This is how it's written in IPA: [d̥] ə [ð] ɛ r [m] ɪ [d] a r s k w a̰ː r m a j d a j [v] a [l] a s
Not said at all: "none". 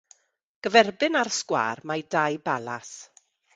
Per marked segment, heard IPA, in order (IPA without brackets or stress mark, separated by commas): ɡ̥, v, b, n, b, l